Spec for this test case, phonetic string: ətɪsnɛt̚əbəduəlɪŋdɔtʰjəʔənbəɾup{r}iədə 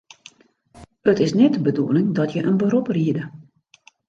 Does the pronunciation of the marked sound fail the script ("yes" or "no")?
no